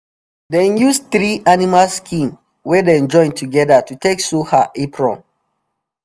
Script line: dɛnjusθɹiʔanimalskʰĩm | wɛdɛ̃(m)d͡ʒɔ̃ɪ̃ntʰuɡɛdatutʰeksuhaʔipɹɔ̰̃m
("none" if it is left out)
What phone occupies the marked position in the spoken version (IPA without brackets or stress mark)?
n